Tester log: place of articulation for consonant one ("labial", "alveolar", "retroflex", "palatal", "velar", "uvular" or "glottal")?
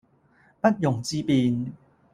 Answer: labial